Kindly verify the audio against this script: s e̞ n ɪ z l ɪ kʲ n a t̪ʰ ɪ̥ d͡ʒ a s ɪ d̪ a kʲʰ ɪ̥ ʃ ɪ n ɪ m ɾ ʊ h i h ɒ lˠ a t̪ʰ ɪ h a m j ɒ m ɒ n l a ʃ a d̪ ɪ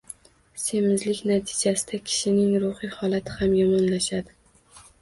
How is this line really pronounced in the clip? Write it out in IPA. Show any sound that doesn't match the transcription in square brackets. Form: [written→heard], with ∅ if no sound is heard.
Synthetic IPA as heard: s e̞ [n→m] ɪ z l ɪ kʲ n a t̪ʰ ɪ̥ d͡ʒ a s ɪ d̪ a kʲʰ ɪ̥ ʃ ɪ n ɪ [m→ŋ] ɾ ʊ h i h ɒ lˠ a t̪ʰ ɪ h a m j ɒ m ɒ n l a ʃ a d̪ ɪ